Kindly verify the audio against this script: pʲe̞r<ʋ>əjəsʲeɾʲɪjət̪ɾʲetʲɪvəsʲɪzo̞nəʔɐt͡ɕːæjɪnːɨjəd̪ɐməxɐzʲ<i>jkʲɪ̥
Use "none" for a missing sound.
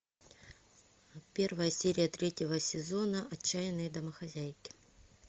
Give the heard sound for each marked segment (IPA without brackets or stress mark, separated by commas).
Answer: v, æ